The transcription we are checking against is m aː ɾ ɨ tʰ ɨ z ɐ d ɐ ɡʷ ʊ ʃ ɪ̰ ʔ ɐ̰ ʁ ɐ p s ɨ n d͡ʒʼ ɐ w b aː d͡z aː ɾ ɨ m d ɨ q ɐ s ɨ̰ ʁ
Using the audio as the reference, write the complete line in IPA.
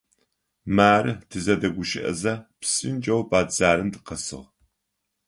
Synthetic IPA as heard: m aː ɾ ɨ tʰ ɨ z ɐ d ɐ ɡʷ ʊ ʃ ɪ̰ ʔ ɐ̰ z ɐ p s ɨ n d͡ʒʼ ɐ w b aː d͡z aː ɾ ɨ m d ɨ q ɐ s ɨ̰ ʁ